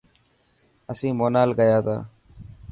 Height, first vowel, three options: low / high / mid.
mid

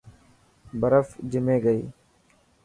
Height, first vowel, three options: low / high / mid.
mid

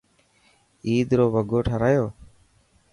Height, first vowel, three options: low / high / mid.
high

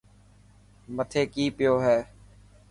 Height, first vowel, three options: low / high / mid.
mid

